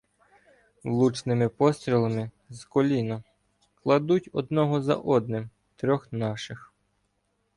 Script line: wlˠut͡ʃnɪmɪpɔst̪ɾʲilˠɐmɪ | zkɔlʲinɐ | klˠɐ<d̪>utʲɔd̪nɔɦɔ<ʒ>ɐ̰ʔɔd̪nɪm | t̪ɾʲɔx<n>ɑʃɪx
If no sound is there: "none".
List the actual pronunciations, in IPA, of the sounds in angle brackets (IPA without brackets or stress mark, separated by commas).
d̪, z, n